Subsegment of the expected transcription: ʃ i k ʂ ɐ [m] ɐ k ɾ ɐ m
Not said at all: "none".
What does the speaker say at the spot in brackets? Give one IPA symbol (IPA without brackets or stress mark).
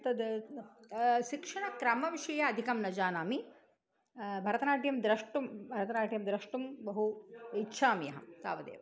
ɳ